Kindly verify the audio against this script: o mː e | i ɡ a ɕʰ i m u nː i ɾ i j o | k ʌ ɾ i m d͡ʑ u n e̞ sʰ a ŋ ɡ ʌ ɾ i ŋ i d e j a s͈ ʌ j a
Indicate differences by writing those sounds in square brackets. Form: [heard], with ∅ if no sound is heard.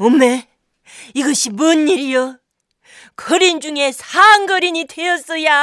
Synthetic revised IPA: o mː e | i ɡ [ʌ] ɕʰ i m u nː i ɾ i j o | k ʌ ɾ i [n] d͡ʑ u [ŋ] e̞ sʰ a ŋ ɡ ʌ ɾ i [ɲ] i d e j [ʌ] s͈ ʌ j a